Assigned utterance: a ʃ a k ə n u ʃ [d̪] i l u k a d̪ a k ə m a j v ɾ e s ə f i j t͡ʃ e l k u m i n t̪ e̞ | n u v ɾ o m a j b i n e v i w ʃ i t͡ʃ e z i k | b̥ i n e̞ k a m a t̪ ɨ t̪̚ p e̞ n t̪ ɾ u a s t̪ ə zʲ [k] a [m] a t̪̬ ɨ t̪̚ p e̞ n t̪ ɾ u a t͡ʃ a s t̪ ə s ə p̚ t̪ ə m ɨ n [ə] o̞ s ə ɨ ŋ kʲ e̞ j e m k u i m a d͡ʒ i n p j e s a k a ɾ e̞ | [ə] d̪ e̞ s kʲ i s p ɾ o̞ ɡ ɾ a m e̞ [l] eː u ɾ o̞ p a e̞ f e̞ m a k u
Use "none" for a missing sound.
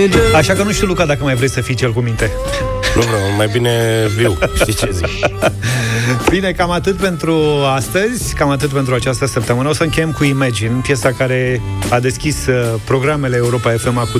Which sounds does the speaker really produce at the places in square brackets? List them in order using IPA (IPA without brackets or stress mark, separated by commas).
t̪, k, m, ə, a, l